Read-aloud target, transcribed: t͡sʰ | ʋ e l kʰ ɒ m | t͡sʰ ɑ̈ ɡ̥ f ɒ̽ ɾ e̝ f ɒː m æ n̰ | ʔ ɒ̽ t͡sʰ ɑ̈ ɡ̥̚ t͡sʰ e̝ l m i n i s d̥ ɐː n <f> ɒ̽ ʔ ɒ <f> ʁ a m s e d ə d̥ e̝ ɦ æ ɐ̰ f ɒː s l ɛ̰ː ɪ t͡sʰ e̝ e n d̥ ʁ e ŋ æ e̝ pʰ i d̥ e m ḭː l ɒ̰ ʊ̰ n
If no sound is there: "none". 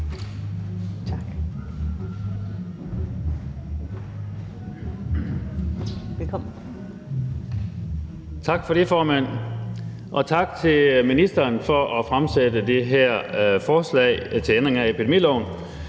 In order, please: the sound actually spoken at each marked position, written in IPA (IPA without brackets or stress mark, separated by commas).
f, f